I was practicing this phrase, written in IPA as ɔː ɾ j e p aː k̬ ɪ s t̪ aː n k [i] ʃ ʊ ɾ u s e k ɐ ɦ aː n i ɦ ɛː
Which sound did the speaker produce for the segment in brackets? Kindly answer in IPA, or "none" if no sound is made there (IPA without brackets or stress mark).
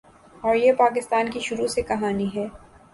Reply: i